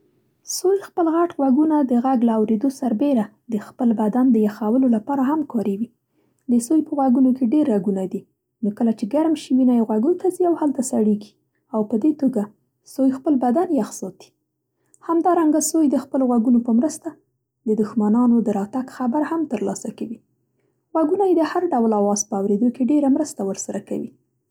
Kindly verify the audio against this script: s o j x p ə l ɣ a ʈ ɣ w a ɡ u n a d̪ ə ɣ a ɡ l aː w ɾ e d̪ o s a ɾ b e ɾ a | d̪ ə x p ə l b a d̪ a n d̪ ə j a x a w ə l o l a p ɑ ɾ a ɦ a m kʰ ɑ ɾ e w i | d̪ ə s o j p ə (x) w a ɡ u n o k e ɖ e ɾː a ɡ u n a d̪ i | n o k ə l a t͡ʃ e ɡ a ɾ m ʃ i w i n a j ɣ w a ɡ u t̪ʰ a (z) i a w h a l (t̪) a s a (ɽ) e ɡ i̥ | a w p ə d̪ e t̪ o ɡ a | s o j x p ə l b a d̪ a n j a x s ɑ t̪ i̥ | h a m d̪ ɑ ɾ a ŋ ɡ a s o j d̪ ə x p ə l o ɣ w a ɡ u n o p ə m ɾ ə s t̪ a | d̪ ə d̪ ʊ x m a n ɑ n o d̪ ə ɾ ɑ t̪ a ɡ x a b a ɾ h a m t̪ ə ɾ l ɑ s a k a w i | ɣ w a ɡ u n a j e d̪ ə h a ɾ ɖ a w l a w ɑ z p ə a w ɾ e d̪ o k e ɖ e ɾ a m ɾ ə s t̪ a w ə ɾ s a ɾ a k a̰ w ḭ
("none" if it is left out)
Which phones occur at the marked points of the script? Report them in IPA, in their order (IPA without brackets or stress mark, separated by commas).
ɣ, z, t̪, ɽ